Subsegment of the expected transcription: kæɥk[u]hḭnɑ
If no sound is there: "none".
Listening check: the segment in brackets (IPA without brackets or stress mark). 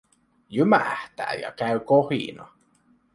o